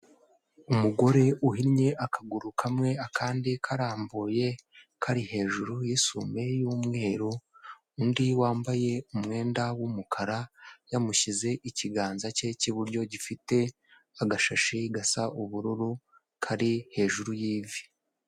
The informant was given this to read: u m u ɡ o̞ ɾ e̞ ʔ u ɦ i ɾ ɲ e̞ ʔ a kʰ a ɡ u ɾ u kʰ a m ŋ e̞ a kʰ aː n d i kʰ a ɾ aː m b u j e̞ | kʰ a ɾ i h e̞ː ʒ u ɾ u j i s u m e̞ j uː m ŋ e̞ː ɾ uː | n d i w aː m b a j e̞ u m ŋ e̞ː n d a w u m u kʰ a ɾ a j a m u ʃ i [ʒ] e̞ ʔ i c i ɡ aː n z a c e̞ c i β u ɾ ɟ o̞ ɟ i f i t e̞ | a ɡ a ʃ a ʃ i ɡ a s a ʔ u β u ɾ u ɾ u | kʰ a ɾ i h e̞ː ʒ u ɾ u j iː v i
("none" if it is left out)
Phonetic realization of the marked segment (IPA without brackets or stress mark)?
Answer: z